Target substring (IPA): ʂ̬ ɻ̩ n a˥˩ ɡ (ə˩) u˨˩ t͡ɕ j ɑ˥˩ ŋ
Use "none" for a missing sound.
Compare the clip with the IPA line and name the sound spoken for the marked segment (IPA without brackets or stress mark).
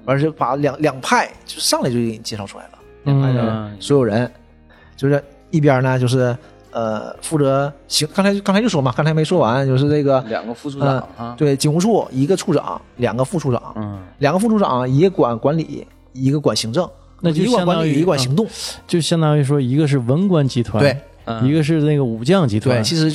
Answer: ə˩